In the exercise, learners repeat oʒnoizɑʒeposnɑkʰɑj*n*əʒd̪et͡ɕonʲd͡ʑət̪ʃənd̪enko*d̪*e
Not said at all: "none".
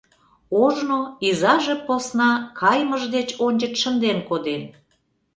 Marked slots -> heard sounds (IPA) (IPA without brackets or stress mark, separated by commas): m, d̪